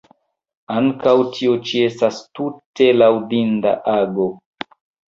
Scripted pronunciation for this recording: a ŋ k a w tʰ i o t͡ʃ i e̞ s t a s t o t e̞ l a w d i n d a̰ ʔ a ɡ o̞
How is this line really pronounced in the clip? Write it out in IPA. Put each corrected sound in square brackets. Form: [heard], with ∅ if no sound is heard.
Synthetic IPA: a ŋ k a w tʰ i o t͡ʃ i e̞ s t a s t [u] t e̞ l a w d i n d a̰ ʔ a ɡ o̞